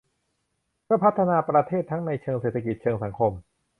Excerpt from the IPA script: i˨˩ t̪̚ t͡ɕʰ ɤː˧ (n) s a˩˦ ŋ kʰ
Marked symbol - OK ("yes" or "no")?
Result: no